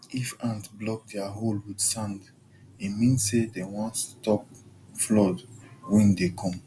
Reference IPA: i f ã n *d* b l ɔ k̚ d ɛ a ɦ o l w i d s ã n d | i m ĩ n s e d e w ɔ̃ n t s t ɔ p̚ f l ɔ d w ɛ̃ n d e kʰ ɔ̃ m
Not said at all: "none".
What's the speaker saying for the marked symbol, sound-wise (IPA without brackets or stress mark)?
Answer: t